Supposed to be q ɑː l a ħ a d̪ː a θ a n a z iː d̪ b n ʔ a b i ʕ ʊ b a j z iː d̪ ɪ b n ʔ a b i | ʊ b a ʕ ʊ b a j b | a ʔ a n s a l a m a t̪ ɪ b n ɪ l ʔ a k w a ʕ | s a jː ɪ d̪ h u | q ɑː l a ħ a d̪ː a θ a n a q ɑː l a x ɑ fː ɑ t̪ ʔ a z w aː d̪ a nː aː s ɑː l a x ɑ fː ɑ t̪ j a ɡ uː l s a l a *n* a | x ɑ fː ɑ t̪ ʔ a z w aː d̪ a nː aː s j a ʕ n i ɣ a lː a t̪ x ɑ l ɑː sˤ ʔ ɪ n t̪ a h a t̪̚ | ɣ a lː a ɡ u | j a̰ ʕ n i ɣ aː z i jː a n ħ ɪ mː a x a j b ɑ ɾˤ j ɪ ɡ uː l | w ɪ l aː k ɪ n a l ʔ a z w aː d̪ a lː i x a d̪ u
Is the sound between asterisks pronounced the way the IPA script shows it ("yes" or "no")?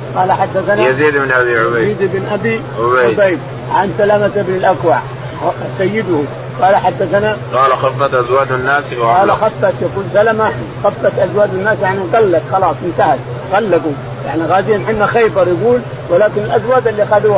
no